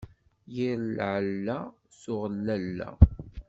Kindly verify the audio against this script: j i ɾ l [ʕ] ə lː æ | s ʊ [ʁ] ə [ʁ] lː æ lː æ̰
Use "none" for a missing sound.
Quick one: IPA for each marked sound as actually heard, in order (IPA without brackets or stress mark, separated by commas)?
ʕ, ʁ, none